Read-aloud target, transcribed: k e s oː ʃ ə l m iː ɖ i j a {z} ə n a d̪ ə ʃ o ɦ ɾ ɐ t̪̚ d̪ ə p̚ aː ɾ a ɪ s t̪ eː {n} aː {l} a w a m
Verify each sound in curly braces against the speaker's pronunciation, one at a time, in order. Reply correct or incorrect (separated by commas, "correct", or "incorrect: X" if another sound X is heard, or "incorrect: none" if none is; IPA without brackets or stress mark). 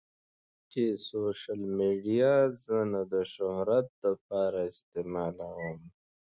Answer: correct, incorrect: m, correct